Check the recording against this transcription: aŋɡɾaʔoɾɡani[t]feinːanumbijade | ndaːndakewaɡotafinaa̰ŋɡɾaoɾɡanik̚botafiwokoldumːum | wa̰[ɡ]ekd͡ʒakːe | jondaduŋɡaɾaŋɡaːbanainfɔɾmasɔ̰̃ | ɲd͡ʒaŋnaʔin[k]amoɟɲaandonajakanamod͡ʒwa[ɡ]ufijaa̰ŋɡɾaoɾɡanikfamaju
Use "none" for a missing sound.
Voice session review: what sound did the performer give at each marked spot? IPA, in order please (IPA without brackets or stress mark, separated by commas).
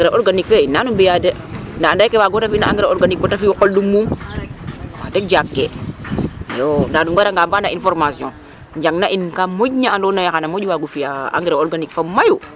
k, d, k, ɡ